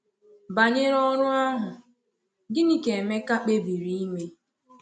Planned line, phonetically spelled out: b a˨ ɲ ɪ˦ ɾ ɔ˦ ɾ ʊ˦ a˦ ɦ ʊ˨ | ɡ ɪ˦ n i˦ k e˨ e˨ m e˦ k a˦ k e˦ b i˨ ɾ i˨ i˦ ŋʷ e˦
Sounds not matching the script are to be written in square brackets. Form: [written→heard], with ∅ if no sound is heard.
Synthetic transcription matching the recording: b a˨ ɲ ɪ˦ ɾ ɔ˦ ɾ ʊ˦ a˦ ɦ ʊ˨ | ɡ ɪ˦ n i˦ k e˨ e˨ m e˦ k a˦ [k→k͡p] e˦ b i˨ ɾ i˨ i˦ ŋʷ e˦

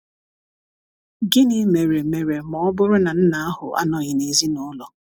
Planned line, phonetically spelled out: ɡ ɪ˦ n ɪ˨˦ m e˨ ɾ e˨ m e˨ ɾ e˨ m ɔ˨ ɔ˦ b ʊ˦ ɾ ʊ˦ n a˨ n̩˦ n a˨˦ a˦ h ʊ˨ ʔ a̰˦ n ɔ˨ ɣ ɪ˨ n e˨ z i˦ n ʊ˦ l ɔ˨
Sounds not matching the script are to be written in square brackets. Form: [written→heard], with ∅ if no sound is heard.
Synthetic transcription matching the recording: ɡ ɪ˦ n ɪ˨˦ m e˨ ɾ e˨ m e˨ ɾ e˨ m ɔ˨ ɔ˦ b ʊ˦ ɾ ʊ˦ n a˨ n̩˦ n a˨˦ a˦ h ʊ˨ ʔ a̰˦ n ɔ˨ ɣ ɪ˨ n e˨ z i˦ n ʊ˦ l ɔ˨

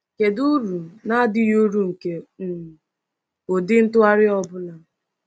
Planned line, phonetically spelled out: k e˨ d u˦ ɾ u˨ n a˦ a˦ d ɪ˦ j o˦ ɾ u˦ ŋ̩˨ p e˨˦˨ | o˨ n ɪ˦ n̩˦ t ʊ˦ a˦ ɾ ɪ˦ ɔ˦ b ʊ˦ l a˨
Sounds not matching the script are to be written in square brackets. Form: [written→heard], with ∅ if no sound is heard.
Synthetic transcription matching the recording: k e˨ d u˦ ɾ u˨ n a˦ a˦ d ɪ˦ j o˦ ɾ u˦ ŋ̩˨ [p→k] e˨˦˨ | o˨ [n→d] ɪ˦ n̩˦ t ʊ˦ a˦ ɾ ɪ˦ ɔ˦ b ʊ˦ l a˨

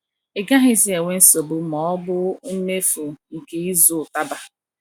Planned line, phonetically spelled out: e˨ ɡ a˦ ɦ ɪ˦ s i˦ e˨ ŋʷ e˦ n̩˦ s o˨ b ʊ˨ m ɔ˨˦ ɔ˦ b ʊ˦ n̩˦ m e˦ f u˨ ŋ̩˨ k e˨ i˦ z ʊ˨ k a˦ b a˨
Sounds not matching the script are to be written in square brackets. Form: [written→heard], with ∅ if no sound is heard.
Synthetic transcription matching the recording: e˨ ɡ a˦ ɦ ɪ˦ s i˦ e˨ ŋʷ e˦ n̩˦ s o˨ b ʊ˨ m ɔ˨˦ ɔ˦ b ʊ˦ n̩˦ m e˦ f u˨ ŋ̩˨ k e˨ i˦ z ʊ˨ [k→t] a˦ b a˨

